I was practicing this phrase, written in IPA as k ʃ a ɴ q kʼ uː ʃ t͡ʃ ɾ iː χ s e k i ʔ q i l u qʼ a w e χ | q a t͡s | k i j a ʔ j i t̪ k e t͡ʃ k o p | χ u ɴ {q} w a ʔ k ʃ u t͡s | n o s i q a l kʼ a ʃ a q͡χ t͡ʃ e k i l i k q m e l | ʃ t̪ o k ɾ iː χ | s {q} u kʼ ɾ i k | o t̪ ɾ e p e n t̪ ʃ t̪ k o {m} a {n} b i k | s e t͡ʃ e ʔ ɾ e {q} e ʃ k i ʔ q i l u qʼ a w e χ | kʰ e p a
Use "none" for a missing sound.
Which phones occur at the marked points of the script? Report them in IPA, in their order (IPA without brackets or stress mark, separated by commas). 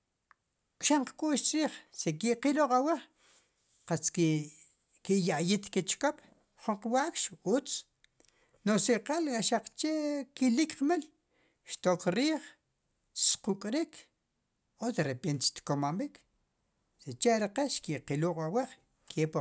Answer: q, q, m, m, q